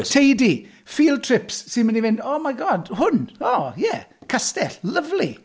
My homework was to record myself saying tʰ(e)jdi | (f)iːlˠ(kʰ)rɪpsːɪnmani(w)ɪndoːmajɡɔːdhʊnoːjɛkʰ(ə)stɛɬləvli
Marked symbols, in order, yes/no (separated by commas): yes, yes, no, no, no